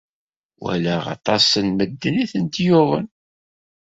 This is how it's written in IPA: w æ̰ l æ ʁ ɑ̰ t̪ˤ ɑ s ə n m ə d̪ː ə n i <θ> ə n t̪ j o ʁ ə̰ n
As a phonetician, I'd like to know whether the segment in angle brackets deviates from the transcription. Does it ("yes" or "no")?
no